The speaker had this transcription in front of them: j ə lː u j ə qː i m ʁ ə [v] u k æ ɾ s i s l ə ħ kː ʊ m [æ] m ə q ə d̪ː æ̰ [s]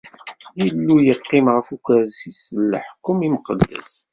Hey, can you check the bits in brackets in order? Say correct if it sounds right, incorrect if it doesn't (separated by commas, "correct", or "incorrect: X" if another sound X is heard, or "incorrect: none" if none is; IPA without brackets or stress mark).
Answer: incorrect: f, incorrect: i, correct